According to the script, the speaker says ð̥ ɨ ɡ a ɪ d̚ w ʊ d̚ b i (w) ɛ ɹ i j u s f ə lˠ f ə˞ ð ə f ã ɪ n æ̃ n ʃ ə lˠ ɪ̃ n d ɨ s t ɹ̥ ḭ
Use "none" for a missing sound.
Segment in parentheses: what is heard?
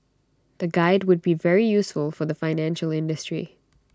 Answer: v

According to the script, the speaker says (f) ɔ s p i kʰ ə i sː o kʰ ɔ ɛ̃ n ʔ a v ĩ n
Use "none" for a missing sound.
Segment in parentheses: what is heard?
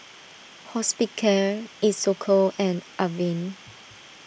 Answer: h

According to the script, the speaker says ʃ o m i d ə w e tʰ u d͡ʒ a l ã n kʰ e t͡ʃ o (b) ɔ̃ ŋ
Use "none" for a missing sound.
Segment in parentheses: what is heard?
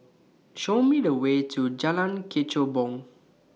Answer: b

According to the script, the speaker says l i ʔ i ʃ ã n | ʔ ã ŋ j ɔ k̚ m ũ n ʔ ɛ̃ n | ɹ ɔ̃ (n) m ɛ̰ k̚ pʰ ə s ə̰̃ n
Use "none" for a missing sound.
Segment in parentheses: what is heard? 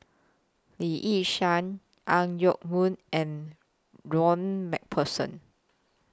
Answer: n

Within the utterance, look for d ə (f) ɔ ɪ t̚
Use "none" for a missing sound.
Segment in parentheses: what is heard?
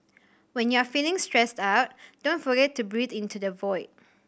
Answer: v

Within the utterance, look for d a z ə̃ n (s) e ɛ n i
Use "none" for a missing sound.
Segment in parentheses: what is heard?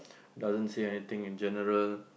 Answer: s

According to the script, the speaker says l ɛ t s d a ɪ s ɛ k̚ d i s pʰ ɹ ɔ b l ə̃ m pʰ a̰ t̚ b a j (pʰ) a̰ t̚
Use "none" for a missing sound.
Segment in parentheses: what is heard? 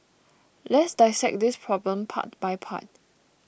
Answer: pʰ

